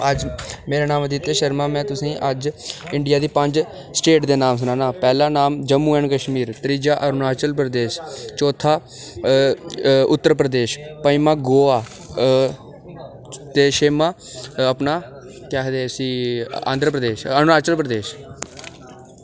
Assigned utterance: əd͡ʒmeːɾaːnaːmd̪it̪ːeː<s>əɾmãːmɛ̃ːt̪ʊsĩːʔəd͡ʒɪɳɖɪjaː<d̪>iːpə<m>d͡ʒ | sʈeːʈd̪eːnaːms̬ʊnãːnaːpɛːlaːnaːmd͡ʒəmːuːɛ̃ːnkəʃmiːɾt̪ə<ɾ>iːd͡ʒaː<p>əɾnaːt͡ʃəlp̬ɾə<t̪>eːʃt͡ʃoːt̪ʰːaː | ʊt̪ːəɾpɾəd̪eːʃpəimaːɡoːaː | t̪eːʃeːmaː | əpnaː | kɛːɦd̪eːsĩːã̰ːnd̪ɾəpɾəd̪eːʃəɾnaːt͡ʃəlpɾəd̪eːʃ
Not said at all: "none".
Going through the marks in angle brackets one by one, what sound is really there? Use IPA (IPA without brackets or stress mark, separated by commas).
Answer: ʃ, d̪, ɲ, ɾ, ʔ, d̪